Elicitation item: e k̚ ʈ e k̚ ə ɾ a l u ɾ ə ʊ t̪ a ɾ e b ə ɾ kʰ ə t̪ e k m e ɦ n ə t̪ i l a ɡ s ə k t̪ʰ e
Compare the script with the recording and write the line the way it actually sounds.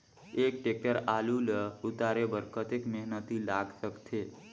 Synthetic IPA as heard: e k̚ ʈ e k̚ ə ɾ a l u l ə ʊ t̪ a ɾ e b ə ɾ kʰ ə t̪ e k m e ɦ n ə t̪ i l a ɡ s ə k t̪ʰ e